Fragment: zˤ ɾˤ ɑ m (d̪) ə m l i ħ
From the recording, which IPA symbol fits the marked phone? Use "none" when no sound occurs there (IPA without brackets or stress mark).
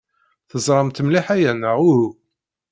t̪